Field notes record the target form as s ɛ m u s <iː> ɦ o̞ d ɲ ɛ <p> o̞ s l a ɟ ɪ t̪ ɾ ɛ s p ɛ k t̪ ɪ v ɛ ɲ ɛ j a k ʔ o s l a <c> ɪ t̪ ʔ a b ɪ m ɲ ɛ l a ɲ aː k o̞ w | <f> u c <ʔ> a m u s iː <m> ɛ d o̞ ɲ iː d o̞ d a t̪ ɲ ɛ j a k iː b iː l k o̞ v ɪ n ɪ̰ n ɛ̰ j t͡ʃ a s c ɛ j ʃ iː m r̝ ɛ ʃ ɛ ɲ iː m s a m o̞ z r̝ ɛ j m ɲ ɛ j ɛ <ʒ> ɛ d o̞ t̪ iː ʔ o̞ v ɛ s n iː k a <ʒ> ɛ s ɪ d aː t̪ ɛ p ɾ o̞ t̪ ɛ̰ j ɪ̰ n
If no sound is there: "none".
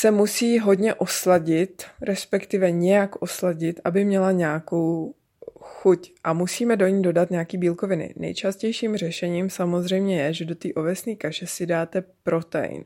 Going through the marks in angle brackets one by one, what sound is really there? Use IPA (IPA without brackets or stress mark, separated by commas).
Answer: iː, ʔ, ɟ, x, ʔ, m, ʒ, ʃ